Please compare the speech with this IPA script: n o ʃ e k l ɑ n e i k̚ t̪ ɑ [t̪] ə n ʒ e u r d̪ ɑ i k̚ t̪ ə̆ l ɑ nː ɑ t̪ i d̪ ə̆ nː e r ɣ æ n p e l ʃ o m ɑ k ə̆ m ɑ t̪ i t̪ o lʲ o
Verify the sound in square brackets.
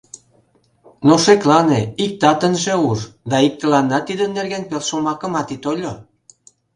correct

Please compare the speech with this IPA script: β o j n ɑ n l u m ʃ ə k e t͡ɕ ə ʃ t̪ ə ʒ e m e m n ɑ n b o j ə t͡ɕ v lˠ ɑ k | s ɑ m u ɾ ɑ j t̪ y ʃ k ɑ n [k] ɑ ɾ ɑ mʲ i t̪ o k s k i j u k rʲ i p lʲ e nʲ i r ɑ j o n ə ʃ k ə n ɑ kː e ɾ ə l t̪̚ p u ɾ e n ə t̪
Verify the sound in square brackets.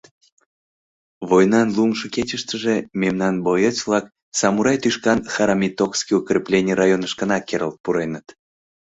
incorrect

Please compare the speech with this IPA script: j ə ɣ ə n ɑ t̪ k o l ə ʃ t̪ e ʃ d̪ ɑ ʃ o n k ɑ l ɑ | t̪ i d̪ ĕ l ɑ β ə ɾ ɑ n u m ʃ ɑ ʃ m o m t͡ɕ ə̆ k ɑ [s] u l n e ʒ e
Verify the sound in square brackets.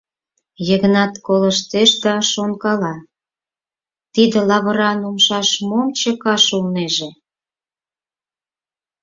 incorrect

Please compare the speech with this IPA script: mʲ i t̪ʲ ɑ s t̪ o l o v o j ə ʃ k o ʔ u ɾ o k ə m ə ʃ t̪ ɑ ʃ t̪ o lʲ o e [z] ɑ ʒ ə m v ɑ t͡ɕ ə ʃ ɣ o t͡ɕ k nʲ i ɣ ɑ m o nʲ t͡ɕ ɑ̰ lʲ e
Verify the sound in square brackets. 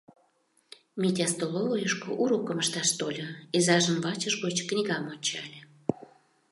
correct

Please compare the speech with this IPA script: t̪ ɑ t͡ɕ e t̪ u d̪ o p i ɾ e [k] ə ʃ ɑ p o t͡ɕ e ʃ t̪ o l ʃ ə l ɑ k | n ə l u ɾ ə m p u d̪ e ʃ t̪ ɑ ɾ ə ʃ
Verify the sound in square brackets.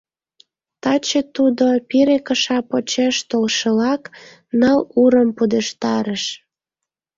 correct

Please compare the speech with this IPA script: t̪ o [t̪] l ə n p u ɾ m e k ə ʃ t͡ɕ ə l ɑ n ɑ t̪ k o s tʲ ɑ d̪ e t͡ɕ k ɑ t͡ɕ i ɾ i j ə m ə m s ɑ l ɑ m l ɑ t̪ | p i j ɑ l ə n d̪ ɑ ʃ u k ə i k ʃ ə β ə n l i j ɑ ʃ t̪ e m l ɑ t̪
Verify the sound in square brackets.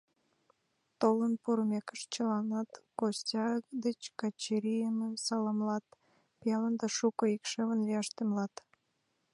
incorrect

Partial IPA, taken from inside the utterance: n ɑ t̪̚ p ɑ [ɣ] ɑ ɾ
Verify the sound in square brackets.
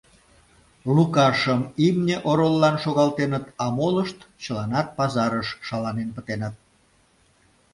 incorrect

